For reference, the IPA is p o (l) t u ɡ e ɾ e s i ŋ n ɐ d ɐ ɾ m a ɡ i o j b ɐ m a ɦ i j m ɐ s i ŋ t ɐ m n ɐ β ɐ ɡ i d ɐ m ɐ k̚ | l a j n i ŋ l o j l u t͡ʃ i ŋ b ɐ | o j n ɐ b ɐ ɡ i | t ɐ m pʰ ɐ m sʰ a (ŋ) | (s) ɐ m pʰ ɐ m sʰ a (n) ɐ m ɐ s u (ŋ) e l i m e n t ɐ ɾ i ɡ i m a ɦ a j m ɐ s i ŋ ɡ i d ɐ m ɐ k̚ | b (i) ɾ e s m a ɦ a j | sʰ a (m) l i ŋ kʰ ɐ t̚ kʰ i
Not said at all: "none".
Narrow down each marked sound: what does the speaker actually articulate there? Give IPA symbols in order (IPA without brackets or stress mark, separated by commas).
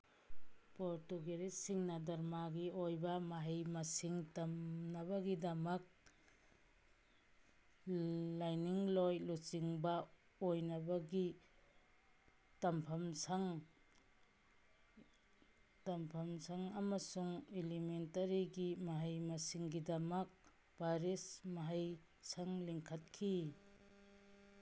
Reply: ɾ, ŋ, t, ŋ, ŋ, a, ŋ